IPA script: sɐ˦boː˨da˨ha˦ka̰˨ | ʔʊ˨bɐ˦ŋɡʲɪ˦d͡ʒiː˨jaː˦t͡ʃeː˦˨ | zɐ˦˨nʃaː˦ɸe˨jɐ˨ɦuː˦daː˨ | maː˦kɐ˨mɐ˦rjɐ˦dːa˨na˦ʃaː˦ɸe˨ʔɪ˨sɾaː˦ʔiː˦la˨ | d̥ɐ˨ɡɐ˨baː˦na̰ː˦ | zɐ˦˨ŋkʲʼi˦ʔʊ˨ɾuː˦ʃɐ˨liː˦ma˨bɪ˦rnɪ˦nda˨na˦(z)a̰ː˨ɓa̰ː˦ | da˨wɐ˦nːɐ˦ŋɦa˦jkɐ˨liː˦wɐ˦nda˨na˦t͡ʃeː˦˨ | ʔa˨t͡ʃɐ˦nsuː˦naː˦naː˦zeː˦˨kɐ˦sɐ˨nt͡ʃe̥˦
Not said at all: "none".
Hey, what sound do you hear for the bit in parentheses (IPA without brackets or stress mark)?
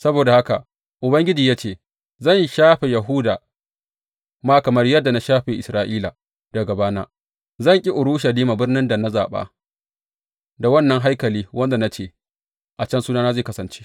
z